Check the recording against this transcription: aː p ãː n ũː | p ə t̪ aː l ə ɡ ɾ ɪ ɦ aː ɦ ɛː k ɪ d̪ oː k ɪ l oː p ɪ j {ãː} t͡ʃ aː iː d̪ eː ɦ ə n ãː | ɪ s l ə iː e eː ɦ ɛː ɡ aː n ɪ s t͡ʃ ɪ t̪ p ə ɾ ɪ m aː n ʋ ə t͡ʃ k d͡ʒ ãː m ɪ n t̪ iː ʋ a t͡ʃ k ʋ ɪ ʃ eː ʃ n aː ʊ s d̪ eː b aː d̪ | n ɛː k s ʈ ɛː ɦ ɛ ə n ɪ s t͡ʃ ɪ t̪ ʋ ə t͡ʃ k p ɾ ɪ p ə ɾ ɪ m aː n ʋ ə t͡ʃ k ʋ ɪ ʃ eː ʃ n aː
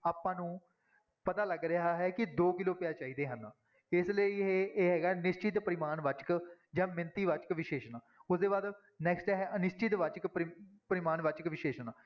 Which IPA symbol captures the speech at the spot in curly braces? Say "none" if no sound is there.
aː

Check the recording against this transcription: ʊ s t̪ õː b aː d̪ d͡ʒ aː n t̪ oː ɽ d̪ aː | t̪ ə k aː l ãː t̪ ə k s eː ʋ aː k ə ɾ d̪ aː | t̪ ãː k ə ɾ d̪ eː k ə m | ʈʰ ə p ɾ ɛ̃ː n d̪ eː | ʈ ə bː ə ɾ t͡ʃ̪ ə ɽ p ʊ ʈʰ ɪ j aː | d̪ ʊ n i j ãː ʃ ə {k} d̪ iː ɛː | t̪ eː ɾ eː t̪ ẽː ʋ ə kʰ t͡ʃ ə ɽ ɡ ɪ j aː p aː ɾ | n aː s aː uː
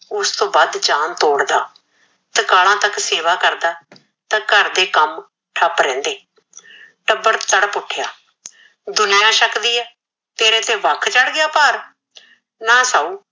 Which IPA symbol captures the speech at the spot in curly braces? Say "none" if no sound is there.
k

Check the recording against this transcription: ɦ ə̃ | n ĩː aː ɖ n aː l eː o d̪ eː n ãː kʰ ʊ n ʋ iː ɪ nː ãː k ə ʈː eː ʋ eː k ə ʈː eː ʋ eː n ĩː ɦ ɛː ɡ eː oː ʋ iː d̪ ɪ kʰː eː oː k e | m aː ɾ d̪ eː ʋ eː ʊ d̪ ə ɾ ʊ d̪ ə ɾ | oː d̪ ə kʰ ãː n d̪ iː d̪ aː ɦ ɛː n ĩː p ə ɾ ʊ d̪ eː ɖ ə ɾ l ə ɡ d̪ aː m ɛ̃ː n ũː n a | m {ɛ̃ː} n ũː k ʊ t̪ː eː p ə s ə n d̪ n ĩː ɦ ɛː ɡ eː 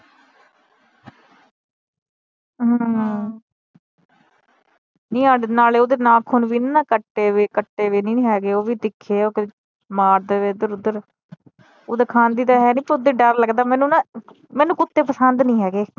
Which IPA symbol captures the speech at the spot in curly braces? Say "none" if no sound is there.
ɛː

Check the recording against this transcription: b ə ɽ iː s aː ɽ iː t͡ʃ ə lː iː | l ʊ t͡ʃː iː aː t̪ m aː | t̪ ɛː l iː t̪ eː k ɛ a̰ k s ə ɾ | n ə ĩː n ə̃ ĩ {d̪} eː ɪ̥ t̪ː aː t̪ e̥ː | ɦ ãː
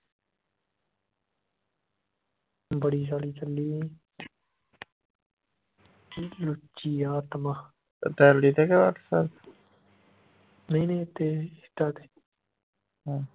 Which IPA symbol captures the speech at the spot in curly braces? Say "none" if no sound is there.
t̪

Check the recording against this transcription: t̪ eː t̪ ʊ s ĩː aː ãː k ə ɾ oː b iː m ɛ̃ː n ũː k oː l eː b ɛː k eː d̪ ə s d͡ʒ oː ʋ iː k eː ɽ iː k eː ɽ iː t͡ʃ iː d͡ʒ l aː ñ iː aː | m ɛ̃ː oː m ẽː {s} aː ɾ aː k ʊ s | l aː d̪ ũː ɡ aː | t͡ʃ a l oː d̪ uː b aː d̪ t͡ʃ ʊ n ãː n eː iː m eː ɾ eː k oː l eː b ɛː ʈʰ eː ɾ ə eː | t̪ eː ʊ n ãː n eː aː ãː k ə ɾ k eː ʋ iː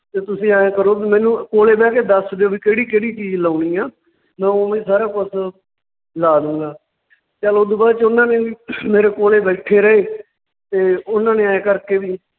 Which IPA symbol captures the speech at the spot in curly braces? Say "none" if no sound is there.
s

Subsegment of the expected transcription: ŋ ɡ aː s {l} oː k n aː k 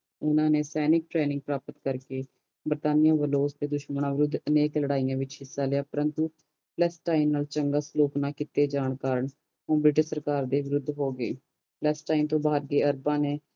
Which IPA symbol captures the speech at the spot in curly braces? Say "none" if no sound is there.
l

